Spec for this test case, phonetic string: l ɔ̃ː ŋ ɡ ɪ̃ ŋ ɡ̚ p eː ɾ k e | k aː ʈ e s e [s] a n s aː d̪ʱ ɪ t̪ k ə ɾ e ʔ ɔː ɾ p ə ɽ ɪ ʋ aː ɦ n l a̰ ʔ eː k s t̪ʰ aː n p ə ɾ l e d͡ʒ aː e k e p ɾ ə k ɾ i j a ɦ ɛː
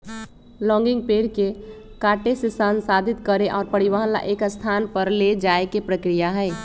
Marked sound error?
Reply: no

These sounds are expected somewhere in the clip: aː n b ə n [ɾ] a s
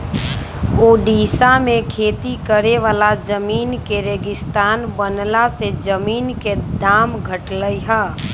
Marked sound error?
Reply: yes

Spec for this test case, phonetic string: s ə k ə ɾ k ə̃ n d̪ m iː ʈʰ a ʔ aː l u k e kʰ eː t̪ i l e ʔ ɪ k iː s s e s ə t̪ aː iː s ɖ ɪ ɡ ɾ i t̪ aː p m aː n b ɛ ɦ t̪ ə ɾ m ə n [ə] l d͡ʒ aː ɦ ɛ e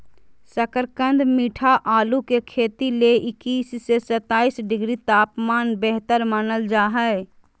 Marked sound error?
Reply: no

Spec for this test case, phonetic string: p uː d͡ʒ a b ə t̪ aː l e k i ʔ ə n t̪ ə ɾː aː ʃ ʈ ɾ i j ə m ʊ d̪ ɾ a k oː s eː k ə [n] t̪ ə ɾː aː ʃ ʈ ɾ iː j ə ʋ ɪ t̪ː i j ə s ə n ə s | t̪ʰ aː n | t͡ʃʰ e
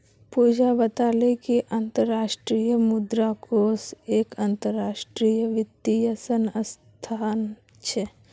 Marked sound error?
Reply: no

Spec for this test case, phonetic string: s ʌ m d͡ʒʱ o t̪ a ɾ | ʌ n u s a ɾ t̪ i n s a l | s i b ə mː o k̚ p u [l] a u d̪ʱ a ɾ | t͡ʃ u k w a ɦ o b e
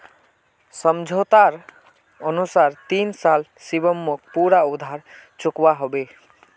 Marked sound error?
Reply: yes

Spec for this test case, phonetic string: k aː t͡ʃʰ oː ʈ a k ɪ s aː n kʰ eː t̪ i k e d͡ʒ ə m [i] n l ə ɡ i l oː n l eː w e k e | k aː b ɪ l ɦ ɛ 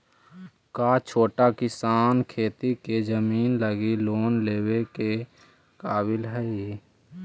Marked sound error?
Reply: yes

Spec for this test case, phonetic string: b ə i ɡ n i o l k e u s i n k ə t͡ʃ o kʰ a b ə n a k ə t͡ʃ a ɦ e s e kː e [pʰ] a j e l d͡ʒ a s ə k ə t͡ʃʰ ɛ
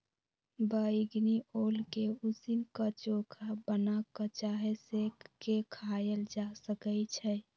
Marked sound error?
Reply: yes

